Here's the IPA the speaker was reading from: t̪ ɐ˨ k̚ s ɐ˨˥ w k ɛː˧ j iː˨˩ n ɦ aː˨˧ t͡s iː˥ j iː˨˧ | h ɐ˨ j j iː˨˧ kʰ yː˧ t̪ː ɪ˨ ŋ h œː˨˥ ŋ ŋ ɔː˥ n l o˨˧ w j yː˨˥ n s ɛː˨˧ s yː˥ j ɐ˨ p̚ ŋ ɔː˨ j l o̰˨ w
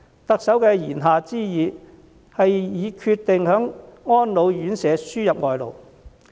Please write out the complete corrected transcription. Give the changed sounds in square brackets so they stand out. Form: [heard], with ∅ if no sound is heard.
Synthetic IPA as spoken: t̪ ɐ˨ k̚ s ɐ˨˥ w k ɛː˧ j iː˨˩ n ɦ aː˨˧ t͡s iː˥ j iː˨˧ | h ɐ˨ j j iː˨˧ kʰ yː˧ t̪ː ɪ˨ ŋ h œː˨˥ ŋ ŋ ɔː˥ n l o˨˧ w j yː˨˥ n s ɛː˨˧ s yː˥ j ɐ˨ p̚ ŋ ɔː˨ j l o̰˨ w

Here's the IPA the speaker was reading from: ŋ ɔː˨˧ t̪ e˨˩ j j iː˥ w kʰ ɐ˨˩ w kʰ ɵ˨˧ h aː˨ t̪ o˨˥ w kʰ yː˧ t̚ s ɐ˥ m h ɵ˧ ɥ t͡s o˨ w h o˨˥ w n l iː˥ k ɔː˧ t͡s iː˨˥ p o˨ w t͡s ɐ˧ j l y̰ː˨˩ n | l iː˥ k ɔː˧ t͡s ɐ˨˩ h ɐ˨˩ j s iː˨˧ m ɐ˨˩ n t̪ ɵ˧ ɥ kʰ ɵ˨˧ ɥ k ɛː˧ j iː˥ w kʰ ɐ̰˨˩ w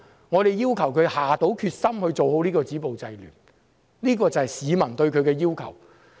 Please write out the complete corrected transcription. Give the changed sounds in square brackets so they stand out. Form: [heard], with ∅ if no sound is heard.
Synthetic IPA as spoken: ŋ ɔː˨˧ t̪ e˨˩ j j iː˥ w kʰ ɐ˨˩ w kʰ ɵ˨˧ h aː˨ t̪ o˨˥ w kʰ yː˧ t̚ s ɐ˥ m h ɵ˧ ɥ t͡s o˨ w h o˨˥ w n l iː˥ k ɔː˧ t͡s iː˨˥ p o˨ w t͡s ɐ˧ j l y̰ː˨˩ n | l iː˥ k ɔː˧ t͡s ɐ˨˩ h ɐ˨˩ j s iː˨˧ m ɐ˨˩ n t̪ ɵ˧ ɥ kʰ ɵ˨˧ ɥ k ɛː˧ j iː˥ w kʰ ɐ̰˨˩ w

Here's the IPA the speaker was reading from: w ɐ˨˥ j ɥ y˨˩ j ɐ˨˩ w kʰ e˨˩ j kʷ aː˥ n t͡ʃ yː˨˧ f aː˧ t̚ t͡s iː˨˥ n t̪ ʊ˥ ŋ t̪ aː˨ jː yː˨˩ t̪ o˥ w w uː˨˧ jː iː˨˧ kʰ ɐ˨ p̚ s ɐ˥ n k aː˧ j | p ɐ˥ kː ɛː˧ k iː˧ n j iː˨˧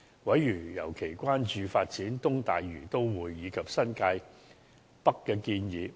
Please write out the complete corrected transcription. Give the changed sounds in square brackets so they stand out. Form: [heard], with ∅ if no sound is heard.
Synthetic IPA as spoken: w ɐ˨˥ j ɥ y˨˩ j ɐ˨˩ w kʰ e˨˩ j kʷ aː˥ n t͡ʃ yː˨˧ f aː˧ t̚ t͡s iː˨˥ n t̪ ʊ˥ ŋ t̪ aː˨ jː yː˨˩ t̪ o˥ w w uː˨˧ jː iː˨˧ kʰ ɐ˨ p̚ s ɐ˥ n k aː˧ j | p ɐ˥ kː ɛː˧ k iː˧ n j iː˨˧

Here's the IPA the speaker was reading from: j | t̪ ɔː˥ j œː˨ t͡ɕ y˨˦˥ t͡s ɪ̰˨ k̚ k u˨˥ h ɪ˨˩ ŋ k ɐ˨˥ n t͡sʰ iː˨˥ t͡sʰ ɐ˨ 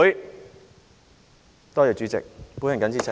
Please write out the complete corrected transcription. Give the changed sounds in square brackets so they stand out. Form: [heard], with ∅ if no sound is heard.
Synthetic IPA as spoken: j | t̪ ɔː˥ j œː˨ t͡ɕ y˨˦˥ t͡s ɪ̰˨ k̚ [p] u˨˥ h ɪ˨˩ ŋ k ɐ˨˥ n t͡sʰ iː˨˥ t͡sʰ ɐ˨

